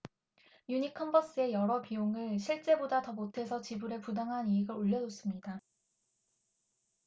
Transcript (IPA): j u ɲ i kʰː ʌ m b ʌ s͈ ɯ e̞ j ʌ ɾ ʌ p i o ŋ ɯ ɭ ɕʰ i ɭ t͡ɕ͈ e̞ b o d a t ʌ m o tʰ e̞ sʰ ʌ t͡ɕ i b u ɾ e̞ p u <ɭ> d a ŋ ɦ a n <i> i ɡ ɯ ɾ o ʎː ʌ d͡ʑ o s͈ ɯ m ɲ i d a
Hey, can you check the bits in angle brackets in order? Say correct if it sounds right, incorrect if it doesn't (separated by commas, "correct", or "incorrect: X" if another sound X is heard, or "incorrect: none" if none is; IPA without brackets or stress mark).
incorrect: none, correct